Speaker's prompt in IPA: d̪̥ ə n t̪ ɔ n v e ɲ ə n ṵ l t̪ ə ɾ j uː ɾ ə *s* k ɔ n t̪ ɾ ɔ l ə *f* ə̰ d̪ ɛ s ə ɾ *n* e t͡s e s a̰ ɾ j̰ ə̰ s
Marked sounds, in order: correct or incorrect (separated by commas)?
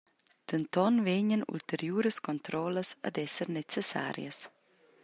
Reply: correct, incorrect, correct